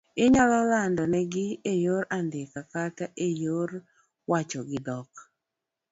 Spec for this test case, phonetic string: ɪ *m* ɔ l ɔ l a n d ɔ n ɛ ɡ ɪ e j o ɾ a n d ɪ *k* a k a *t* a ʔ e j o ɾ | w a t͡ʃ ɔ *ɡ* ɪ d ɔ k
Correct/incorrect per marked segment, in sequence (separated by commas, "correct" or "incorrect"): incorrect, correct, correct, correct